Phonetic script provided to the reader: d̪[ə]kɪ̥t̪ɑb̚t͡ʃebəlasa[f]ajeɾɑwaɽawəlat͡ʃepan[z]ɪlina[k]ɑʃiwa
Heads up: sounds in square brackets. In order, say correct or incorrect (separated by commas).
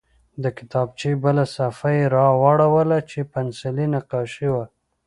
correct, correct, incorrect, incorrect